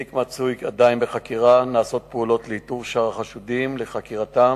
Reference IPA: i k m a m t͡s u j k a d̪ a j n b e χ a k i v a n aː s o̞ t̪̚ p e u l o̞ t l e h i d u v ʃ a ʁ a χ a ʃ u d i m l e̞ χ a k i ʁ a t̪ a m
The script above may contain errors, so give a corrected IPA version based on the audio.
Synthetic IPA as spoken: i k m a t͡s u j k a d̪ a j n b e χ a k i ʁ a n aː s o̞ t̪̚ p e u l o̞ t l e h i t u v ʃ a ʁ a χ a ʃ u d i m l e̞ χ a k i ʁ a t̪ a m